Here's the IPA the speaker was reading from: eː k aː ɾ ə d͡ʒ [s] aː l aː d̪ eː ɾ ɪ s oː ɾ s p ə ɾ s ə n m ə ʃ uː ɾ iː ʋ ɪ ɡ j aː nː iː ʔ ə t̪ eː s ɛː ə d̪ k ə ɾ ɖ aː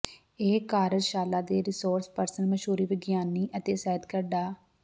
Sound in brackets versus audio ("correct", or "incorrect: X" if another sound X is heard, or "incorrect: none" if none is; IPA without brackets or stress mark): incorrect: ʃ